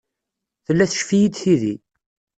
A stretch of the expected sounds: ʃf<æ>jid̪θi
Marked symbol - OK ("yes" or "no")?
no